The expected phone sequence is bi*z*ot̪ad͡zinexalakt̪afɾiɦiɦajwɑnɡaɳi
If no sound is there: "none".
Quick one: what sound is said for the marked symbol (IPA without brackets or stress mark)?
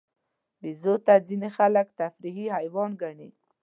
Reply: z